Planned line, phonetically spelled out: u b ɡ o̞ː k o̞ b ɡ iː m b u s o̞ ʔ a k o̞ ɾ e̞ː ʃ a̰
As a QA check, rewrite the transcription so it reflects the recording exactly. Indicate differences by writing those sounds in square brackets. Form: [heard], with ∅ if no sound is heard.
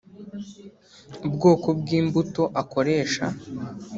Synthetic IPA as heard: u b ɡ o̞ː k o̞ b ɡ iː m b u [t] o̞ ʔ a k o̞ ɾ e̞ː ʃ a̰